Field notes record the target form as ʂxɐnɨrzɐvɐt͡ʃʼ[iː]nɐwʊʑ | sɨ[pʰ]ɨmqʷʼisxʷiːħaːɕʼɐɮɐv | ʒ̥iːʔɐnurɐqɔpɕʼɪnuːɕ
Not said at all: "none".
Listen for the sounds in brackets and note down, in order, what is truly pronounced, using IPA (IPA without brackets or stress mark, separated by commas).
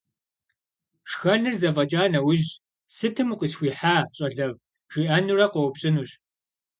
aː, tʰ